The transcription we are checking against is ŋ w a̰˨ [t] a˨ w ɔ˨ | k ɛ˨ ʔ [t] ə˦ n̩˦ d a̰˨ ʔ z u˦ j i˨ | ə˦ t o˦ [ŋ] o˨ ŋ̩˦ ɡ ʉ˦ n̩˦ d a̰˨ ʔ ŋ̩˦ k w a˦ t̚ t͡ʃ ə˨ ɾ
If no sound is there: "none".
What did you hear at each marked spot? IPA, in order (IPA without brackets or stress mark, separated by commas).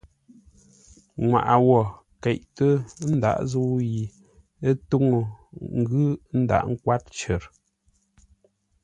ʔ, t, ŋ